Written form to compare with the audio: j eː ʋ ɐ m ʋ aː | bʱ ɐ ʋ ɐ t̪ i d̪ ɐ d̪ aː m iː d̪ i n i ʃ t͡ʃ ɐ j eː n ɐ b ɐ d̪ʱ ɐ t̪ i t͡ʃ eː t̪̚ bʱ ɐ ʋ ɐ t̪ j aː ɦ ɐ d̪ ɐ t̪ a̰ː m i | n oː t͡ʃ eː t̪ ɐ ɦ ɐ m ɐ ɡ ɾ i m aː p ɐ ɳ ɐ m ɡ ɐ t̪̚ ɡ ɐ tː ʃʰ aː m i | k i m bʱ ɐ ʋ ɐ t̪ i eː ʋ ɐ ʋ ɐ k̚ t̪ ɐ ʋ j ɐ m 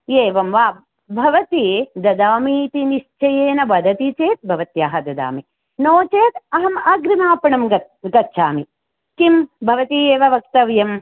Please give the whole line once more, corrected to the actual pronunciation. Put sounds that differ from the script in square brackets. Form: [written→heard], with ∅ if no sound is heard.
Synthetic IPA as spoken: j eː ʋ ɐ m ʋ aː | bʱ ɐ ʋ ɐ t̪ i d̪ ɐ d̪ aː m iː [d̪→t̪] i n i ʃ t͡ʃ ɐ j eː n ɐ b ɐ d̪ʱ ɐ t̪ i t͡ʃ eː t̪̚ bʱ ɐ ʋ ɐ t̪ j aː ɦ ɐ d̪ ɐ [t̪→d̪] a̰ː m i | n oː t͡ʃ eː t̪ ɐ ɦ ɐ m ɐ ɡ ɾ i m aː p ɐ ɳ ɐ m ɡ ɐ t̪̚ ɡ ɐ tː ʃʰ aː m i | k i m bʱ ɐ ʋ ɐ t̪ i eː ʋ ɐ ʋ ɐ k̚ t̪ ɐ ʋ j ɐ m